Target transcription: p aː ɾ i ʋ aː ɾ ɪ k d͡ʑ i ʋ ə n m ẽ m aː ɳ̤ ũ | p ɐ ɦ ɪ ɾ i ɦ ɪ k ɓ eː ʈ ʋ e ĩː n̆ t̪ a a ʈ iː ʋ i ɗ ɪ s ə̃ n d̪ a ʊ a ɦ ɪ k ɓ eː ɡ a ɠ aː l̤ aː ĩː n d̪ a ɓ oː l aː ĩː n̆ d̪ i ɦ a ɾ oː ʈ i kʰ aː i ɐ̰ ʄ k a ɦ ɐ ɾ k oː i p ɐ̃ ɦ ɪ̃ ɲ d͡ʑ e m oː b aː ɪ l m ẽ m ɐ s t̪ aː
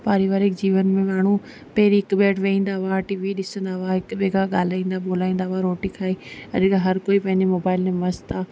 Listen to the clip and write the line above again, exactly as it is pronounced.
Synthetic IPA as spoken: p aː ɾ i ʋ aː ɾ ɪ k d͡ʑ iː ʋ ə n m ẽ m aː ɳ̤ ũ | p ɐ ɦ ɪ ɾ i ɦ ɪ k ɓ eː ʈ ʋ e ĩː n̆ d̪ a a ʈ iː ʋ i ɗ ɪ s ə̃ n d̪ a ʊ a ɦ ɪ k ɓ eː ɡ a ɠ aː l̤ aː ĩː n d̪ a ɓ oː l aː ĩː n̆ d̪ a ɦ a ɾ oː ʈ i kʰ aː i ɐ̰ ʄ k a ɦ ɐ ɾ k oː i p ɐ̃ ɦ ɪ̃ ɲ d͡ʑ e m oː b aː ɪ l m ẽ m ɐ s t̪ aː